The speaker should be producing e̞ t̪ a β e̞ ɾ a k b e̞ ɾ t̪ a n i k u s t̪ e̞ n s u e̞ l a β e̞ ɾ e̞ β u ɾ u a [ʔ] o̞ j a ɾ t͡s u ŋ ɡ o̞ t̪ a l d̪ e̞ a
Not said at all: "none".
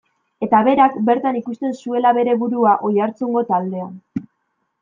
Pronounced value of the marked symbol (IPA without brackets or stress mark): ʔ